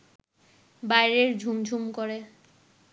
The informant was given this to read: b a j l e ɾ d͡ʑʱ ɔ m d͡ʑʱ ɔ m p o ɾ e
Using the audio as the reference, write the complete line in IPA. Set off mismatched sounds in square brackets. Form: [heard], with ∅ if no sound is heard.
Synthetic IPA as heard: b a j [ɾ] e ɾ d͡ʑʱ [u] m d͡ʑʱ [u] m [k] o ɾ e